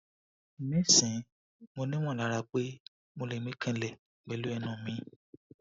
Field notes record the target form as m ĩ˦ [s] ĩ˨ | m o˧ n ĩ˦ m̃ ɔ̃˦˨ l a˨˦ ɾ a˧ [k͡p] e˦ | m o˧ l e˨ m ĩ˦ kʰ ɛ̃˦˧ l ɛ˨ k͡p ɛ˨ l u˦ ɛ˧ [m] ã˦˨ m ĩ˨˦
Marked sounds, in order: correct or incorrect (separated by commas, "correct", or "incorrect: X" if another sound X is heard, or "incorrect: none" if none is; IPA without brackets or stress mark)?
correct, correct, incorrect: n